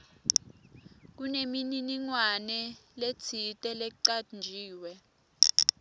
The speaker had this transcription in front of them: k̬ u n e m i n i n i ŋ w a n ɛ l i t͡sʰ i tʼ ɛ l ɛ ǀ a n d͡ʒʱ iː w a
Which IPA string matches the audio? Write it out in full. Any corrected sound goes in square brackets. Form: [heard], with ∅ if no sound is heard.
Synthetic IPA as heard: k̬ u n e m i n i n i ŋ w a n ɛ l [e] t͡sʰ i tʼ ɛ l ɛ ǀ a n d͡ʒʱ iː w [ɛ]